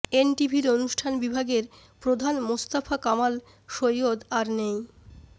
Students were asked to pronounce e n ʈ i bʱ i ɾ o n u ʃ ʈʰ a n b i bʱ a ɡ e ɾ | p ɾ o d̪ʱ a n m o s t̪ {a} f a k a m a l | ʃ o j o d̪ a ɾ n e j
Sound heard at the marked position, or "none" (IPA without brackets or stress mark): a